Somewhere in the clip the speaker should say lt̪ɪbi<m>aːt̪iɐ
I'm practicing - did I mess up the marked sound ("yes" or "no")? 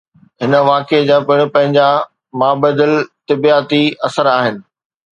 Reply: yes